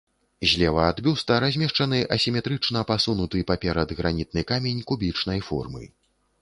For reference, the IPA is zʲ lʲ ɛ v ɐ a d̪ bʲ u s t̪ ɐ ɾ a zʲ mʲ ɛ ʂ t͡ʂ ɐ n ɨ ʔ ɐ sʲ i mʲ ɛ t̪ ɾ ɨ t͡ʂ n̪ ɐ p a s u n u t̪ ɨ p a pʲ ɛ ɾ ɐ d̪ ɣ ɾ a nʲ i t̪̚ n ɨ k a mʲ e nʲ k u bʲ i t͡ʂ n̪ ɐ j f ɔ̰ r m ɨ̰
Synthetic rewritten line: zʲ lʲ ɛ v ɐ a d̪ bʲ u s t̪ ɐ ɾ a zʲ mʲ ɛ ʂ t͡ʂ ɐ n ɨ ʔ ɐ sʲ i mʲ ɛ t̪ ɾ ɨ t͡ʂ n̪ ɐ p a s u n u t̪ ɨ p a pʲ ɛ ɾ ɐ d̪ ɣ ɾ a nʲ i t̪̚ n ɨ k a mʲ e nʲ k u bʲ i t͡ʂ n̪ ɐ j f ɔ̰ r m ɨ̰